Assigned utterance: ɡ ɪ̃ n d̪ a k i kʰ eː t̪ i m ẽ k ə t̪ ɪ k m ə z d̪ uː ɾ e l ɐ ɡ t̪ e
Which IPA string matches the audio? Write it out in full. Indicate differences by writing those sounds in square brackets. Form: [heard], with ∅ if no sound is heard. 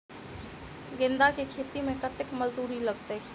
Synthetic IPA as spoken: ɡ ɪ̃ n d̪ a k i kʰ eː t̪ i m ẽ k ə t̪ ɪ k m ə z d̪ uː ɾ [i] l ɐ ɡ t̪ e